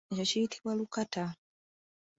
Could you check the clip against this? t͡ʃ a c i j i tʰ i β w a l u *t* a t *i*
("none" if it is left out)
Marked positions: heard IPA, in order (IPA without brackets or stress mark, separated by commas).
k, a